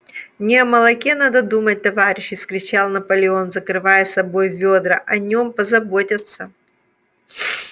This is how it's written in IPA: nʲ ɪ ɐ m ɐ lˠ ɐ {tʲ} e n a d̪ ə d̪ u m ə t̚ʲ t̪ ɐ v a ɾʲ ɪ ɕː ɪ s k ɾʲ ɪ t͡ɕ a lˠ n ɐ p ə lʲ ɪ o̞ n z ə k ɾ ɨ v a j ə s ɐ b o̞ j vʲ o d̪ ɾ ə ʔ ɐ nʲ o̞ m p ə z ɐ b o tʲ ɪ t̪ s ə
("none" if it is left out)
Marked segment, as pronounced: kʲ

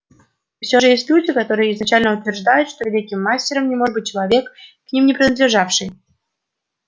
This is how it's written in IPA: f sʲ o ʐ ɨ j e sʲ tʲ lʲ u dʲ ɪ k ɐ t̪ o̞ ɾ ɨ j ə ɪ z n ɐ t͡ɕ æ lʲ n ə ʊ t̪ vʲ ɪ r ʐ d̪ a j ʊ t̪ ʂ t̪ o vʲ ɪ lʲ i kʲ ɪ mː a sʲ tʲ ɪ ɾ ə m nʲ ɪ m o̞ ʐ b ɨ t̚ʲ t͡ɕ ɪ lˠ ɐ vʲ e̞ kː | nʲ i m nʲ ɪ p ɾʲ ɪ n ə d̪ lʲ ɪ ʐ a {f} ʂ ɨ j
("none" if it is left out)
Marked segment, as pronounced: f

